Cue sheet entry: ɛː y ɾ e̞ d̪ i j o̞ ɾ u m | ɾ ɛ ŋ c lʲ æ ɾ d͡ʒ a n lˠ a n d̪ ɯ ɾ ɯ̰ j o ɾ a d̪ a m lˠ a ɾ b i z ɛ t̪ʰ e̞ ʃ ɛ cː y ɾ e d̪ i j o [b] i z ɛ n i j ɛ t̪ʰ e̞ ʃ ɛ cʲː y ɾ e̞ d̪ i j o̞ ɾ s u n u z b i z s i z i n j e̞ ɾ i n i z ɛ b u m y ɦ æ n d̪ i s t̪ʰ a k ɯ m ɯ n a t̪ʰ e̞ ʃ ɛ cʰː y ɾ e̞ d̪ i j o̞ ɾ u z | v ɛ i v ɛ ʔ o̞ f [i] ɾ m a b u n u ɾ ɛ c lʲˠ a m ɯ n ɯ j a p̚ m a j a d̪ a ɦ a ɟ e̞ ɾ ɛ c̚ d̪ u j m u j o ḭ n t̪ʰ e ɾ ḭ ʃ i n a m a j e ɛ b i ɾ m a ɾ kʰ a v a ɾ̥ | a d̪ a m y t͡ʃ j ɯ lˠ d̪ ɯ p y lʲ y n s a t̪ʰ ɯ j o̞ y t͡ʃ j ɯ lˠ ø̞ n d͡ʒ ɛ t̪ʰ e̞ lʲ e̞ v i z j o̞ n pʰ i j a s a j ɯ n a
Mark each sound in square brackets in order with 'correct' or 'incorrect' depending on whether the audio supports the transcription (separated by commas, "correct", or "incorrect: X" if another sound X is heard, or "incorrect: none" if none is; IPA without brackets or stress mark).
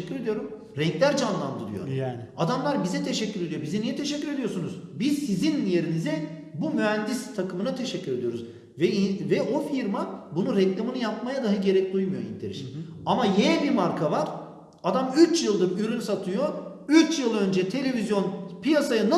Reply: correct, correct